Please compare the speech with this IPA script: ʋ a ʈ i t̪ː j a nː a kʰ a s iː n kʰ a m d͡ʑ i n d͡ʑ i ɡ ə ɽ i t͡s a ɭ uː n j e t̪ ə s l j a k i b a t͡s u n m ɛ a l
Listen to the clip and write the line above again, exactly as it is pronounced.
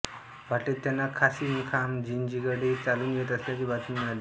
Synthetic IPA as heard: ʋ a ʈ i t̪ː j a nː a kʰ a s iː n kʰ a m d͡ʑ i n d͡ʑ i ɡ ə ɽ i t͡s a l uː n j e t̪ ə s l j a k i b a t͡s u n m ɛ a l